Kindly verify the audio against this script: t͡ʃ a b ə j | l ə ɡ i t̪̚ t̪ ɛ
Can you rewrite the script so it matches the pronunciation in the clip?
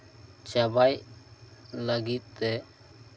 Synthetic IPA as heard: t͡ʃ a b a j | l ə ɡ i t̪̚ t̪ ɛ